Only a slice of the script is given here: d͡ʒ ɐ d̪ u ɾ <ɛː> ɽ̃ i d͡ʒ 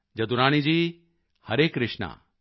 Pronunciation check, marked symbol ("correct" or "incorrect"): incorrect